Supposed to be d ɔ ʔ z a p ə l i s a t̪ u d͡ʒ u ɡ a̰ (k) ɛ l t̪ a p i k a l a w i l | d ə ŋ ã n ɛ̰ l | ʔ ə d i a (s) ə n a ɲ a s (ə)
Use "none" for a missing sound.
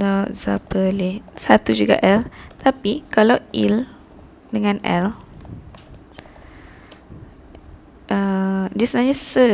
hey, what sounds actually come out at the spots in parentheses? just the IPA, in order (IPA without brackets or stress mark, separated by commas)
ʔ, s, ə